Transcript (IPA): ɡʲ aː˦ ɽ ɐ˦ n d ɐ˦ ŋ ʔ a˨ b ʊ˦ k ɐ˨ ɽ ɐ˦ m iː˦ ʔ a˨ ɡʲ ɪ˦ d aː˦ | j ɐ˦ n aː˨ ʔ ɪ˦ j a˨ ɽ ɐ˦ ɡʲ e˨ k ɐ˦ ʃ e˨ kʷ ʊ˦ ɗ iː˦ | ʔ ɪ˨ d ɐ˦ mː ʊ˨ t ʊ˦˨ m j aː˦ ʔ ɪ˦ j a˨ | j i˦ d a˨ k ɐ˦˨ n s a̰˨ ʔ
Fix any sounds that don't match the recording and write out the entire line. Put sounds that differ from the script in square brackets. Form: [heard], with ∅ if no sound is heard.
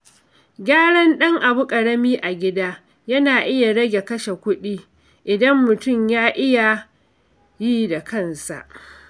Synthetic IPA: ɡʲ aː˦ ɽ ɐ˦ n [ɗ] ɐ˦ ŋ ʔ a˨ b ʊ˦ [kʼ] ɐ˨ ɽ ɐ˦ m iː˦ ʔ a˨ ɡʲ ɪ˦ d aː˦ | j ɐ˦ n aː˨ ʔ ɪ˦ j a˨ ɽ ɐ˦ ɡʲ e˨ k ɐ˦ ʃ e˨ kʷ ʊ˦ ɗ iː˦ | ʔ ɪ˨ d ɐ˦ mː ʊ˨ t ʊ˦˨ m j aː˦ ʔ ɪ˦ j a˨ | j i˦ d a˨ k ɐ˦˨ n s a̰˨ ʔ